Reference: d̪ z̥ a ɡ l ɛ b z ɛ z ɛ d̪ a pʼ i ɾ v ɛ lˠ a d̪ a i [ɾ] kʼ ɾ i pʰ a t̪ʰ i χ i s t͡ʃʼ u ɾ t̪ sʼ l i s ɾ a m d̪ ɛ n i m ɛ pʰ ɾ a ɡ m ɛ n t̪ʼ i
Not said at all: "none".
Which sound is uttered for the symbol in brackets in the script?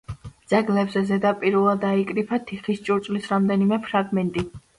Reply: none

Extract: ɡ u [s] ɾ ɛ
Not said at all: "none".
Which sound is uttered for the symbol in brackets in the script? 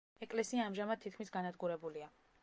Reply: none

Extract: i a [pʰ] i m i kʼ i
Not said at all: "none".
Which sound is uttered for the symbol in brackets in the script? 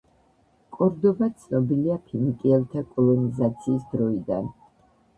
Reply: pʰ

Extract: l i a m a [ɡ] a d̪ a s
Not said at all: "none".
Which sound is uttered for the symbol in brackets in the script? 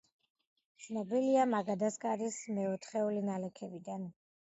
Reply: ɡ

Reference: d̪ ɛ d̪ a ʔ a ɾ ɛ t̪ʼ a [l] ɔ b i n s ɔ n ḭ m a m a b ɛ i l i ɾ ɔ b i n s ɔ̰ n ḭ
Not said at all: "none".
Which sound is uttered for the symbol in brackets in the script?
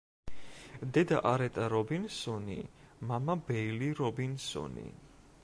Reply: ɾ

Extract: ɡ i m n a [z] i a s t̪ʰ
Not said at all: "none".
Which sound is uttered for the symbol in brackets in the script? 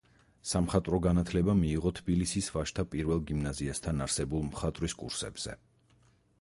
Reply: z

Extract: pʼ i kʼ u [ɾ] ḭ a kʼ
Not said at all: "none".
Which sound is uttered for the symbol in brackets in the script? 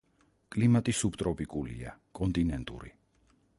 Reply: l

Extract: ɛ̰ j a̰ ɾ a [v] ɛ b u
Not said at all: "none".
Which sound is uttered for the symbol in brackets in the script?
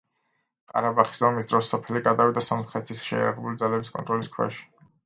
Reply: ʁ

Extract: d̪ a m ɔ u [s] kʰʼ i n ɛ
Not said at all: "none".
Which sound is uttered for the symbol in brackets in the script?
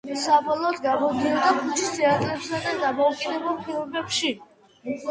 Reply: none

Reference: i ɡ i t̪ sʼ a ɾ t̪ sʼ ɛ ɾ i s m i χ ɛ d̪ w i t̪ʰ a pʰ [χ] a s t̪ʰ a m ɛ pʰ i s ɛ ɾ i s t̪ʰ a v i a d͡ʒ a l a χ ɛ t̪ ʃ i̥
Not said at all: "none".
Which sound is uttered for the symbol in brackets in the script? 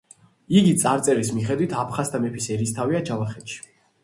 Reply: χ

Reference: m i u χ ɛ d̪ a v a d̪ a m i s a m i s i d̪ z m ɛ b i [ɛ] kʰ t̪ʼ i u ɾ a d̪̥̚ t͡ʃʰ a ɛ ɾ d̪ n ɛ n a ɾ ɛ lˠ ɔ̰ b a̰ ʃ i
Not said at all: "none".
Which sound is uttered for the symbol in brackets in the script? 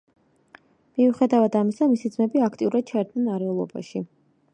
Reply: a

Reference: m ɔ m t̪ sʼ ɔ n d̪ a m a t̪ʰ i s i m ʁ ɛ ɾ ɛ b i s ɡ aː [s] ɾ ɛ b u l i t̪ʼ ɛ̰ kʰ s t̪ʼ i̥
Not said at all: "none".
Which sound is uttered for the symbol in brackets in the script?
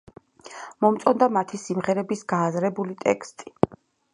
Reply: z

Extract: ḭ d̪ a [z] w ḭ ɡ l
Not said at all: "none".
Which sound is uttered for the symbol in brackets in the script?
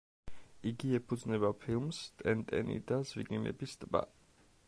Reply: z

